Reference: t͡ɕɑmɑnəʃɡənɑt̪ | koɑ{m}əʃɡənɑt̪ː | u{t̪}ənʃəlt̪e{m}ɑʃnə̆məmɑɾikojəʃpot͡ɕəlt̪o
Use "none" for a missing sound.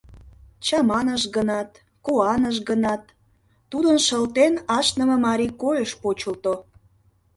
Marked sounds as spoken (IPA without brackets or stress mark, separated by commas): n, d̪, n